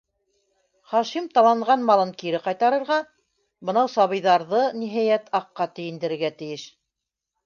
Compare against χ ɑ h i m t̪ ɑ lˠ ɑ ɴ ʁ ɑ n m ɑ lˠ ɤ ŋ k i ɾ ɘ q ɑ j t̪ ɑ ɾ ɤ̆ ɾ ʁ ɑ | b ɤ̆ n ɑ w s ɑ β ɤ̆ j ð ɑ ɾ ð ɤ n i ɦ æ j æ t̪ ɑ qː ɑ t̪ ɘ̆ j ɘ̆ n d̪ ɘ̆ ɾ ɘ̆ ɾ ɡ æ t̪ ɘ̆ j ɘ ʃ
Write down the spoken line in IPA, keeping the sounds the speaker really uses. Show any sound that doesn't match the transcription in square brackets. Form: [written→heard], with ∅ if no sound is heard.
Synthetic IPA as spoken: χ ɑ [h→ʃ] i m t̪ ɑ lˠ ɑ ɴ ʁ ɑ n m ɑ lˠ ɤ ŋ k i ɾ ɘ q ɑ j t̪ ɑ ɾ ɤ̆ ɾ ʁ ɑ | b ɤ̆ n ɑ w s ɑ β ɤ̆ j ð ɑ ɾ ð ɤ n i ɦ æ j æ t̪ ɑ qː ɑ t̪ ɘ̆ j ɘ̆ n d̪ ɘ̆ ɾ ɘ̆ ɾ ɡ æ t̪ ɘ̆ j ɘ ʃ

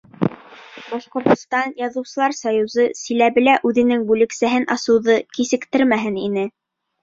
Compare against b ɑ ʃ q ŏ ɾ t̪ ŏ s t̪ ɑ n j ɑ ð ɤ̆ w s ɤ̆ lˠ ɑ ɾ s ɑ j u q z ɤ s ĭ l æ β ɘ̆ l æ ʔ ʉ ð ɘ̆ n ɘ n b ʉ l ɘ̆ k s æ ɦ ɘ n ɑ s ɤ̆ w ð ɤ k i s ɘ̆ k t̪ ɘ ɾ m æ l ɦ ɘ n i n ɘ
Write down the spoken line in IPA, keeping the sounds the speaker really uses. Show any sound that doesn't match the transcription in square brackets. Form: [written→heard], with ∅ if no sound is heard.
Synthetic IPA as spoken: b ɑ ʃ q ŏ ɾ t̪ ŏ s t̪ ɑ n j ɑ ð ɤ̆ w s ɤ̆ lˠ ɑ ɾ s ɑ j u [q→∅] z ɤ s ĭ l æ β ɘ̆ l æ ʔ ʉ ð ɘ̆ n ɘ [n→ŋ] b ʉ l ɘ̆ k s æ ɦ ɘ n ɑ s ɤ̆ w ð ɤ k i s ɘ̆ k t̪ ɘ ɾ m æ [l→∅] ɦ ɘ n i n ɘ

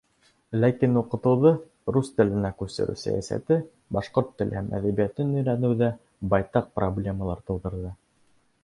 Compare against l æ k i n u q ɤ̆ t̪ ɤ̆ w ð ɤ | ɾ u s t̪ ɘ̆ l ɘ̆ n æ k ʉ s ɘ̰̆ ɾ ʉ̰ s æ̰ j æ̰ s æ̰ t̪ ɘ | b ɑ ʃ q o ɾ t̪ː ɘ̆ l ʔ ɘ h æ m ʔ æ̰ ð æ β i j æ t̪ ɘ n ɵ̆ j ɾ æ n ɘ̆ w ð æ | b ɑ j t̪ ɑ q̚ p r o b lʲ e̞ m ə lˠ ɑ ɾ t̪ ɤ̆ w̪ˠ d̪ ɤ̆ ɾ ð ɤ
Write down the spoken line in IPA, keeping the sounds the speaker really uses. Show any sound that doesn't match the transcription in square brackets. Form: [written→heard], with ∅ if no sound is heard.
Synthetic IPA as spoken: l æ k i n u q ɤ̆ t̪ ɤ̆ w ð ɤ | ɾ u s t̪ ɘ̆ l ɘ̆ n æ k ʉ s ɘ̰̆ ɾ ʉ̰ s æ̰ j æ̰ s æ̰ t̪ ɘ | b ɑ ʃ q o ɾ t̪ː ɘ̆ l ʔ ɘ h æ m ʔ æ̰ ð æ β i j æ t̪ ɘ n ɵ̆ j ɾ æ n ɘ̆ w ð æ | b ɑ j t̪ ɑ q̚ p r o b lʲ e̞ m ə lˠ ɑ ɾ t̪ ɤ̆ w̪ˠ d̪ ɤ̆ ɾ ð ɤ

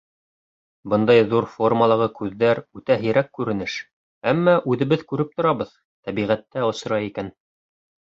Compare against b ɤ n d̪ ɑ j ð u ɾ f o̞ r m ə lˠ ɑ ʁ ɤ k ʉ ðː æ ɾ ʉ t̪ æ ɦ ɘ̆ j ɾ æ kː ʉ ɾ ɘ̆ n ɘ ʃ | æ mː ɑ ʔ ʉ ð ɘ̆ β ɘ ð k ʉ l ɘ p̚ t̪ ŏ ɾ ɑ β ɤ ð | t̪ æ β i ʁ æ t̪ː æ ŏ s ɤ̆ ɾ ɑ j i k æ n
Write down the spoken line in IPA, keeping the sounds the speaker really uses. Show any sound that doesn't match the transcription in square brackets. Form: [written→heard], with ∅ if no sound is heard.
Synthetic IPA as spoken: b ɤ n d̪ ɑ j ð u ɾ f o̞ r m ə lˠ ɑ ʁ ɤ k ʉ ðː æ ɾ ʉ t̪ æ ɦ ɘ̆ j ɾ æ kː ʉ ɾ ɘ̆ n ɘ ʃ | æ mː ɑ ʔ ʉ ð ɘ̆ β ɘ ð k ʉ [l→ɾ] ɘ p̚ t̪ ŏ ɾ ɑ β ɤ ð | t̪ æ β i ʁ æ t̪ː æ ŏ s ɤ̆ ɾ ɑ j i k æ n

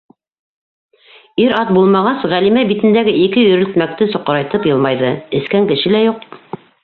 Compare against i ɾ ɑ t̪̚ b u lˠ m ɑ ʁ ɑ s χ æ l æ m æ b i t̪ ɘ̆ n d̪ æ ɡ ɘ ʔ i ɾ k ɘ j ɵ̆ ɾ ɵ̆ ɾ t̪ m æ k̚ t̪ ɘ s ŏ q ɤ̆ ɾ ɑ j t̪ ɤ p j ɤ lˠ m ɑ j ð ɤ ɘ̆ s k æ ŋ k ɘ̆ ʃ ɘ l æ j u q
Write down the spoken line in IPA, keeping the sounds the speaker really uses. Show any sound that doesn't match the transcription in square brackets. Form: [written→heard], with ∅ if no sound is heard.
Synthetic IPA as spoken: i ɾ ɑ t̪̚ b u lˠ m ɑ ʁ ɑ s [χ→ʁ] æ l [æ→i] m æ b i t̪ ɘ̆ n d̪ æ ɡ ɘ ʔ i [ɾ→∅] k ɘ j ɵ̆ ɾ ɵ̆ [ɾ→l] t̪ m æ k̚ t̪ ɘ s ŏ q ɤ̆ ɾ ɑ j t̪ ɤ p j ɤ lˠ m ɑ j ð ɤ ɘ̆ s k æ ŋ k ɘ̆ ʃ ɘ l æ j u q

